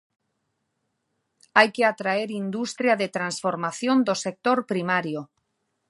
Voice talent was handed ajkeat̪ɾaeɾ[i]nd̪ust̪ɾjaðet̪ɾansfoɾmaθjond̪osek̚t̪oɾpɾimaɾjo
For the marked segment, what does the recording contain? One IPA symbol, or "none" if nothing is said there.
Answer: i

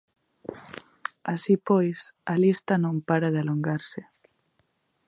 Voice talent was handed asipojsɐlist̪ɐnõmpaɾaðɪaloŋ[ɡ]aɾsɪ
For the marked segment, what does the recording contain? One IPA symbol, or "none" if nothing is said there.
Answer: ɡ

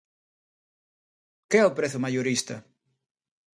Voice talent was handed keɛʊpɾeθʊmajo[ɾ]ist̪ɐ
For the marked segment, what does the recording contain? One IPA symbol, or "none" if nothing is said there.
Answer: ɾ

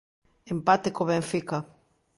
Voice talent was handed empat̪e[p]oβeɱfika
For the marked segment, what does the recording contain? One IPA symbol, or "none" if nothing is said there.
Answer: k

